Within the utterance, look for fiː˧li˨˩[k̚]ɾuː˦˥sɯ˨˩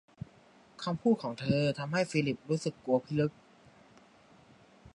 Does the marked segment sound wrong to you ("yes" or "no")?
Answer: yes